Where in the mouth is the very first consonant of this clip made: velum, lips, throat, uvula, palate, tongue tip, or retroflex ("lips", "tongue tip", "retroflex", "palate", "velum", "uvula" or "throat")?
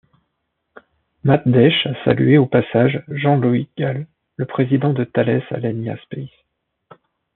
lips